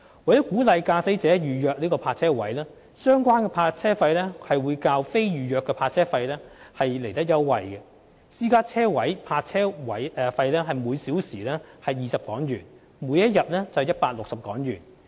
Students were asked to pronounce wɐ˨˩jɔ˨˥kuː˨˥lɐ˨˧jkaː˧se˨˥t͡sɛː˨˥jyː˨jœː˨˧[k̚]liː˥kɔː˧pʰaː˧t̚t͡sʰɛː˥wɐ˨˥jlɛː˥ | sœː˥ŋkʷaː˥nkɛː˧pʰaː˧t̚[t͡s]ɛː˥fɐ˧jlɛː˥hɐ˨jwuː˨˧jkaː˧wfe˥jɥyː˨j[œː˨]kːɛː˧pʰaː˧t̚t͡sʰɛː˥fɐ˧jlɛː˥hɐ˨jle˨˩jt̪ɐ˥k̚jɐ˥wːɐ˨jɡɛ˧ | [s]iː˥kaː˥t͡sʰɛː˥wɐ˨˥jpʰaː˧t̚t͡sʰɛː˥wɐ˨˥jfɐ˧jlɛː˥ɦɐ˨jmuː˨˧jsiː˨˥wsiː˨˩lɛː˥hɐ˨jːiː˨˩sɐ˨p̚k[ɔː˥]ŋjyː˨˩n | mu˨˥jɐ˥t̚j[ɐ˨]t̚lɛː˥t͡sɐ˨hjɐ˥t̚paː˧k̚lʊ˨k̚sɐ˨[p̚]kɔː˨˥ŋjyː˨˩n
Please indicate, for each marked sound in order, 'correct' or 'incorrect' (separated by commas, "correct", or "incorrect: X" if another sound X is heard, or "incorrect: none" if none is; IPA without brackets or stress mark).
correct, incorrect: t͡sʰ, correct, correct, incorrect: ɔː˨˥, correct, correct